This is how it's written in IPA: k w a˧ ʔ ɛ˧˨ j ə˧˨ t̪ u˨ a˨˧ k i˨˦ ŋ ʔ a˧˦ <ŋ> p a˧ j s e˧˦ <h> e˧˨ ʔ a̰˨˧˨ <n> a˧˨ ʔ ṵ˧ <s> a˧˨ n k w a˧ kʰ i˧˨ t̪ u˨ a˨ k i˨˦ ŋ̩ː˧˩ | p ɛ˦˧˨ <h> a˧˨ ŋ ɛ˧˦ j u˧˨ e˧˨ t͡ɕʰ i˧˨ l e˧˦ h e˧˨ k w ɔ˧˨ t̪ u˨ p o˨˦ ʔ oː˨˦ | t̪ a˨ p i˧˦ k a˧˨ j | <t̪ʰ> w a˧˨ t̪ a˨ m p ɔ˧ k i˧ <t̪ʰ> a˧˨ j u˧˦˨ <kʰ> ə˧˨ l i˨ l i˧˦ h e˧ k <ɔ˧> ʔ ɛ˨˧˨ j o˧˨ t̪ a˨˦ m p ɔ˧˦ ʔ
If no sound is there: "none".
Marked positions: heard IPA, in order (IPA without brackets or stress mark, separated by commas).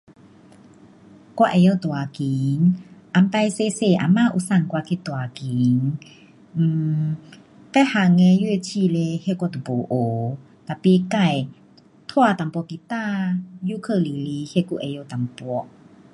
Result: m, s, m, s, h, t̪ʰ, t̪, kʰ, u˧